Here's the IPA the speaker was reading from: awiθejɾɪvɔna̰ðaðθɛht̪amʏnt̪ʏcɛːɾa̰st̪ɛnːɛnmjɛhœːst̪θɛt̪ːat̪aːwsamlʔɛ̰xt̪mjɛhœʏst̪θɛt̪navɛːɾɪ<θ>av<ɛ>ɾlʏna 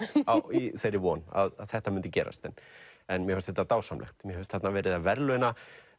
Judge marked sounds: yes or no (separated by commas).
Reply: no, yes